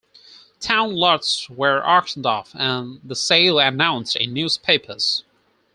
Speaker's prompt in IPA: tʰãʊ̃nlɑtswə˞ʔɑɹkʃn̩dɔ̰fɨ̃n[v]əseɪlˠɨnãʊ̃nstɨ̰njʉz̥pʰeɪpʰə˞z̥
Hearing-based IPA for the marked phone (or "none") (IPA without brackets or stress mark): ð